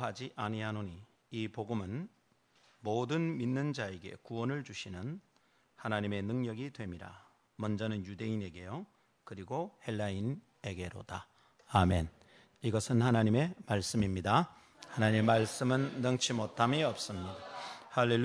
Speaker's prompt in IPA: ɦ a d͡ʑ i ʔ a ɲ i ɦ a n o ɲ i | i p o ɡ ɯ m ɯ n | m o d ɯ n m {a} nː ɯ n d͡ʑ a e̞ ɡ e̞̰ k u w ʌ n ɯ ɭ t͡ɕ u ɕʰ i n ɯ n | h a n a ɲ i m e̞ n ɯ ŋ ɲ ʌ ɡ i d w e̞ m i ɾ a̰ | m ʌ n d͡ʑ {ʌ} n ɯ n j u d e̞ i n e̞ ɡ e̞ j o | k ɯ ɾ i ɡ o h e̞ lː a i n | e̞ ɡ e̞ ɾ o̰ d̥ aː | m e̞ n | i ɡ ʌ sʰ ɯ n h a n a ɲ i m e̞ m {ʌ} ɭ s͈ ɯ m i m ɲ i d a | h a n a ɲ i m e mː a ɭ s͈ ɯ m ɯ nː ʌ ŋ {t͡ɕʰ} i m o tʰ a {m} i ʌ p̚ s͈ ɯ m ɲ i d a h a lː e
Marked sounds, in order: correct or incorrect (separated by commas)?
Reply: incorrect, correct, incorrect, correct, correct